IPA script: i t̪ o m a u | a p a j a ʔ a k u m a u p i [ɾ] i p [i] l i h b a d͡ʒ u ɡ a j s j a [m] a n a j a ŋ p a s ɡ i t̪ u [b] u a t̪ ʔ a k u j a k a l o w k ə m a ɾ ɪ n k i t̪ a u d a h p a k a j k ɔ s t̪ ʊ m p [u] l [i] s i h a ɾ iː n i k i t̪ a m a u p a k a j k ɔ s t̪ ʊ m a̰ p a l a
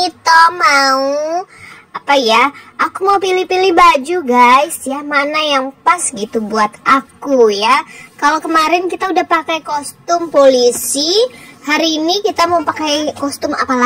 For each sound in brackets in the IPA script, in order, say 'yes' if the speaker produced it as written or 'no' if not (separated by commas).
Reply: no, yes, yes, yes, no, yes